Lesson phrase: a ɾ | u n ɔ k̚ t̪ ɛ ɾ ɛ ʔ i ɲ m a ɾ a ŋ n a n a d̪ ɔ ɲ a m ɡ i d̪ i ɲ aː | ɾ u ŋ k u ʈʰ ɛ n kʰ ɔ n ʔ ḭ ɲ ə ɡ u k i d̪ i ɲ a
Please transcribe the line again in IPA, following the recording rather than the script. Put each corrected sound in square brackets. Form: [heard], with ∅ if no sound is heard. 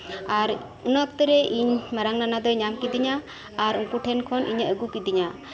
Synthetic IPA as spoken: a ɾ | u n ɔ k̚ t̪ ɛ ɾ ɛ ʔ i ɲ m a ɾ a ŋ n a n a d̪ ɔ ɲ a m [k] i d̪ i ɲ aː | ɾ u ŋ k u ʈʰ ɛ n kʰ ɔ n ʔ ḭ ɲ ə ɡ u k i d̪ i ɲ a